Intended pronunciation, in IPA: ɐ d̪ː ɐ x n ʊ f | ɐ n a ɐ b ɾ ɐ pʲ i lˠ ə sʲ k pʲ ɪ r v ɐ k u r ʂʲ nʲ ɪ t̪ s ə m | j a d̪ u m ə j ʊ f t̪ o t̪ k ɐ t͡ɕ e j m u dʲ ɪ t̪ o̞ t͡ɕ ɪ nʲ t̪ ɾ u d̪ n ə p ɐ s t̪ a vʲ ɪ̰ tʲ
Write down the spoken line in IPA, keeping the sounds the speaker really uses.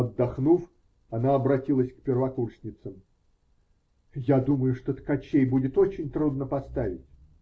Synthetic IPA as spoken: ɐ d̪ː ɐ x n u f | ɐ n a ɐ b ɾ ɐ tʲ i lˠ ə sʲ k pʲ ɪ r v ɐ k u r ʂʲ nʲ ɪ t̪ s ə m | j a d̪ u m ə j ʊ ʂ t̪ o t̪ k ɐ t͡ɕ e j b u dʲ ɪ t̪ o̞ t͡ɕ ɪ nʲ t̪ ɾ u d̪ n ə p ɐ s t̪ a vʲ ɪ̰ tʲ

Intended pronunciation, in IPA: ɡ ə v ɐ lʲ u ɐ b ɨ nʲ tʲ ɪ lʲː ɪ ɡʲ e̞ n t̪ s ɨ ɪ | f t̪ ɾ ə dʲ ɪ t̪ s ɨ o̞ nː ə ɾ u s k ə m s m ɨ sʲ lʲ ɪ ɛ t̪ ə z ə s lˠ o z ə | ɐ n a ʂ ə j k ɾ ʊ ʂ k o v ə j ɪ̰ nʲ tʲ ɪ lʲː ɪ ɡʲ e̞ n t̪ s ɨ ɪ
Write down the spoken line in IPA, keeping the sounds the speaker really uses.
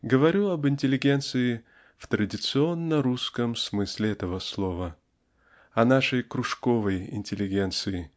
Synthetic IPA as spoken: ɡ ə v ɐ ɾʲ u ɐ b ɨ nʲ tʲ ɪ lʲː ɪ ɡʲ e̞ n t̪ s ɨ ɪ | f t̪ ɾ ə dʲ ɪ t̪ s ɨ o̞ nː ə ɾ u s k ə m s m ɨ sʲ lʲ ɪ ɛ t̪ ə v ə s lˠ o v ə | ɐ n a ʂ ə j k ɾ ʊ ʂ k o v ə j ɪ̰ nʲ tʲ ɪ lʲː ɪ ɡʲ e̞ n t̪ s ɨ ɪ

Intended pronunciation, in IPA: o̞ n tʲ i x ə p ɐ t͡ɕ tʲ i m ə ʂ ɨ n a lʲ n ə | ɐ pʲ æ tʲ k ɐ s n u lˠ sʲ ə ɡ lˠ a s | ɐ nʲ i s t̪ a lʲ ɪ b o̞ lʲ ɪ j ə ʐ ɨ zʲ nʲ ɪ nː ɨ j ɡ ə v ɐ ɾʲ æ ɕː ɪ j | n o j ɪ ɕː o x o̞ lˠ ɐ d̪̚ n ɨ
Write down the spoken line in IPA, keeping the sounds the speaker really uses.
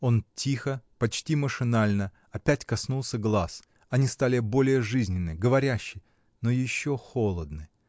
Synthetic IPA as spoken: o̞ n tʲ i x ə p ɐ t͡ɕ tʲ i m ə ʂ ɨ n a lʲ n ə | ɐ pʲ æ tʲ k ɐ s n u lˠ sʲ ə ɡ lˠ a s | ɐ nʲ i s t̪ a lʲ ɪ b o̞ lʲ ɪ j ə ʐ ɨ zʲ nʲ ɪ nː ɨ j ɡ ə v ɐ ɾʲ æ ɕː ɪ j | n o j ɪ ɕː o x o̞ lˠ ə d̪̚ n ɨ

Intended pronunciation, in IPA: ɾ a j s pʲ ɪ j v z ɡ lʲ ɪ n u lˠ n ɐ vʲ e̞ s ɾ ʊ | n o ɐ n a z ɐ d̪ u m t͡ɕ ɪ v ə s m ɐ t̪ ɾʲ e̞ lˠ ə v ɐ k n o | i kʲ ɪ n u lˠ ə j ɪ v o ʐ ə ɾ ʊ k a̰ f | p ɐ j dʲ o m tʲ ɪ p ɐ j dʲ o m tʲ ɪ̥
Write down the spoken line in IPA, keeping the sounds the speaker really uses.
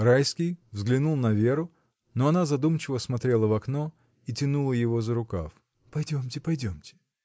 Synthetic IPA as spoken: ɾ a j s kʲ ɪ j v z ɡ lʲ ɪ n u lˠ n ɐ vʲ e̞ ɾ ʊ | n o ɐ n a z ɐ d̪ u m t͡ɕ ɪ v ə s m ɐ t̪ ɾʲ e̞ lˠ ə v ɐ k n o | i tʲ ɪ n u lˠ ə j ɪ v o z ə ɾ ʊ k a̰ f | p ɐ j dʲ o m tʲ ɪ p ɐ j dʲ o m tʲ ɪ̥

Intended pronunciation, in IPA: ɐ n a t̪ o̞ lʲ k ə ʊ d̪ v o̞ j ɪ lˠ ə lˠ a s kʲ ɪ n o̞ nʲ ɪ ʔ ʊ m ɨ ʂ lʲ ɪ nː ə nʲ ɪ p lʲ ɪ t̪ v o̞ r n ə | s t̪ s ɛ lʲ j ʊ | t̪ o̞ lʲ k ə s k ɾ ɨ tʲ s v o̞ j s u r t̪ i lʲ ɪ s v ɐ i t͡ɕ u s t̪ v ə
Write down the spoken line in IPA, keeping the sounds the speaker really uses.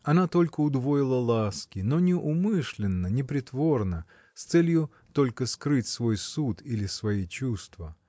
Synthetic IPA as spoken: ɐ n a t̪ o̞ lʲ k ə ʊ d̪ v o̞ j ɪ lˠ ə lˠ a s kʲ ɪ n o̞ nʲ ɪ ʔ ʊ m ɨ ʂ lʲ ɪ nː ə nʲ ɪ p ɾʲ ɪ t̪ v o̞ r n ə | s t̪ s ɛ lʲ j ʊ | t̪ o̞ lʲ k ə s k ɾ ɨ tʲ s v o̞ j s u t̪ i lʲ ɪ s v ɐ i t͡ɕ u s t̪ v ə

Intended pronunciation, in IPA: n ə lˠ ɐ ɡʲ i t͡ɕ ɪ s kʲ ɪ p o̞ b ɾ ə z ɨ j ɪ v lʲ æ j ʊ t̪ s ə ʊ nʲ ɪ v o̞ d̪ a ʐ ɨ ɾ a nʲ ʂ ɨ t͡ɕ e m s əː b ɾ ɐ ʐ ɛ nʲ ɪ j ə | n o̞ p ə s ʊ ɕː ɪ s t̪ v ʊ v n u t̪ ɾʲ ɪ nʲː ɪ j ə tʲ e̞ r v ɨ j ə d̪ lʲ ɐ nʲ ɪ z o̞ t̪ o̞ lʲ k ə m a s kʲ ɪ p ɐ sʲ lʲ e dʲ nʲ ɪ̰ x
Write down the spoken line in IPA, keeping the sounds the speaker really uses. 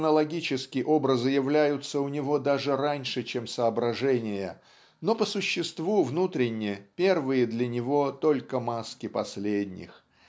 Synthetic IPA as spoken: n ə lˠ ɐ ɡʲ i t͡ɕ ɪ s kʲ ɪ ʔ o̞ b ɾ ə z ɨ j ɪ v lʲ æ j ʊ t̪ s ə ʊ nʲ ɪ v o̞ d̪ a ʐ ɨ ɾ a nʲ ʂ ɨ t͡ɕ e m s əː b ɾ ɐ ʐ ɛ nʲ ɪ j ə | n o̞ p ə s ʊ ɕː ɪ s t̪ v u v n u t̪ ɾʲ ɪ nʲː ɪ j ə pʲ e̞ r v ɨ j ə d̪ lʲ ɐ nʲ ɪ v o̞ t̪ o̞ lʲ k ə m a s kʲ ɪ p ɐ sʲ lʲ e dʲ nʲ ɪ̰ x

